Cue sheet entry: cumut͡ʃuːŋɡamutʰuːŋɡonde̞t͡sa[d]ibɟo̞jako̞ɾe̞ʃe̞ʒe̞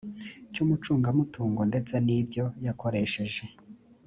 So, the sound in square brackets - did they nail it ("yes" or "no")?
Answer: no